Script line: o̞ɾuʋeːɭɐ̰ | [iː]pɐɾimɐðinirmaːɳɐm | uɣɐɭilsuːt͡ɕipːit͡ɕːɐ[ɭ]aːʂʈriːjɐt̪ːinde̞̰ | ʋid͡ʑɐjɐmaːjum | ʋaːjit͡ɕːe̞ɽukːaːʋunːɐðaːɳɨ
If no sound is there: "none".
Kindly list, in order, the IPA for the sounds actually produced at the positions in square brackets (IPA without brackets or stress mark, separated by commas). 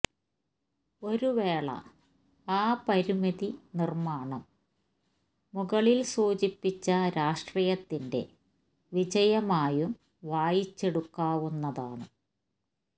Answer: aː, ɾ